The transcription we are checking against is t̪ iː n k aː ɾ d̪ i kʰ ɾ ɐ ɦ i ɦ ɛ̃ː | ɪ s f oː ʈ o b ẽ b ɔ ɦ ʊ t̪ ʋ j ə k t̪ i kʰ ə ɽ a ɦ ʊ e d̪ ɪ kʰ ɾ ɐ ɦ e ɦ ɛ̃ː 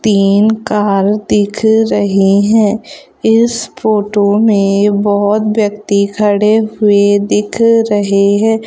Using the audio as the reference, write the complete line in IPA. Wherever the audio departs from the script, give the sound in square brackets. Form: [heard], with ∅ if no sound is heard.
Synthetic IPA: t̪ iː n k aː ɾ d̪ [ɪ] kʰ ɾ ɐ ɦ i ɦ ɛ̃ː | ɪ s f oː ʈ o [m] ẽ b ɔ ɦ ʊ t̪ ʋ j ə k t̪ i kʰ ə ɽ [e] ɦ ʊ e d̪ ɪ kʰ ɾ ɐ ɦ e ɦ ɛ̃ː